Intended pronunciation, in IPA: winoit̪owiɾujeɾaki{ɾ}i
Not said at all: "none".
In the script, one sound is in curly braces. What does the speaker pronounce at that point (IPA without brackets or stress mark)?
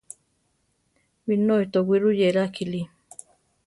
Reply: l